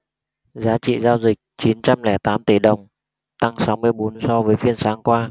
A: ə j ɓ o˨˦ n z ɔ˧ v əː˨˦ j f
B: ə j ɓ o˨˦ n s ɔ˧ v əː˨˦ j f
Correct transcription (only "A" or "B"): B